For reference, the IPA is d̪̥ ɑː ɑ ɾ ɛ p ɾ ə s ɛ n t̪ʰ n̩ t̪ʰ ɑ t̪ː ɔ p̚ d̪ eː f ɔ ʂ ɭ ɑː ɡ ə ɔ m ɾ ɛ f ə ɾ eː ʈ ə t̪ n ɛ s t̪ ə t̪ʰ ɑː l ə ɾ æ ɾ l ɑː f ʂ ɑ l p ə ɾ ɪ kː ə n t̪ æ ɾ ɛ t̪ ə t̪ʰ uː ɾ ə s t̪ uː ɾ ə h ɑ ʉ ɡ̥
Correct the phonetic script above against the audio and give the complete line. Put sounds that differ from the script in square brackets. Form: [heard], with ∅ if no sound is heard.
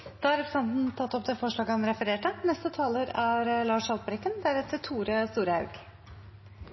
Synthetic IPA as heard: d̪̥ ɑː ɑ ɾ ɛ p ɾ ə s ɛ n [t̪] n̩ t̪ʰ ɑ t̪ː ɔ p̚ d̪ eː f ɔ ʂ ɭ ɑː ɡ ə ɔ m ɾ ɛ f ə ɾ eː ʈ ə [∅] n ɛ s t̪ ə t̪ʰ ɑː l ə ɾ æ ɾ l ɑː [∅] ʂ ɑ l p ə ɾ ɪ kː ə n [d̪] æ ɾ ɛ t̪ ə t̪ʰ uː ɾ ə s t̪ uː ɾ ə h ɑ ʉ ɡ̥